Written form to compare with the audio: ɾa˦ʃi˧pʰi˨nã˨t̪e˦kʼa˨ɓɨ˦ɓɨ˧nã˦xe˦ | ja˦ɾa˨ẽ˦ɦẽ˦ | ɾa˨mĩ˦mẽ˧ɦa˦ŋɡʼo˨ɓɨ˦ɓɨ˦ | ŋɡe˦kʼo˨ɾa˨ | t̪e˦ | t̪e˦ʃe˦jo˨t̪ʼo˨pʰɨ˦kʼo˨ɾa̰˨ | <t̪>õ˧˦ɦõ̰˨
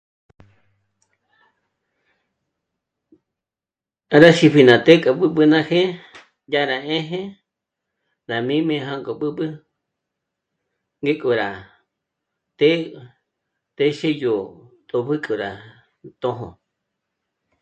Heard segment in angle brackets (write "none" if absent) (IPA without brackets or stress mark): t̪